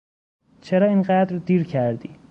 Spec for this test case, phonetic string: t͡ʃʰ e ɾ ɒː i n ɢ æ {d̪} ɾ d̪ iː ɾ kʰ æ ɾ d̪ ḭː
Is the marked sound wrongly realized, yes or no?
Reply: no